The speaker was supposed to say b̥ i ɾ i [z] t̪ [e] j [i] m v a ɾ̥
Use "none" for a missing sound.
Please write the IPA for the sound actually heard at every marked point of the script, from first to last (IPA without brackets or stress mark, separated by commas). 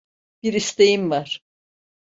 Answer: s, e, i